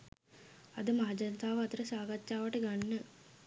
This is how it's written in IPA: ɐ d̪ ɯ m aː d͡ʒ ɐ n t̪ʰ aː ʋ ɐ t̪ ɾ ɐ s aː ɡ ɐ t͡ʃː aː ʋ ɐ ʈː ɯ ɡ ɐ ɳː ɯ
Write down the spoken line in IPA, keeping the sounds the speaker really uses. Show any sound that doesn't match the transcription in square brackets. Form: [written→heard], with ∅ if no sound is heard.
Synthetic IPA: ɐ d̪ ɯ m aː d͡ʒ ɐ n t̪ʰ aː ʋ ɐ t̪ ɾ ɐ s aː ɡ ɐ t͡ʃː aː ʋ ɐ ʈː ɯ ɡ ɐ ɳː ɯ